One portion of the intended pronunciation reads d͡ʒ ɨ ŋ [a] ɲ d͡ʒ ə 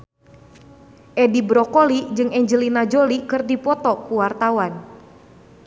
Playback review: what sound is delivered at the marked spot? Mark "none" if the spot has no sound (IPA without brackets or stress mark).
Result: ɛ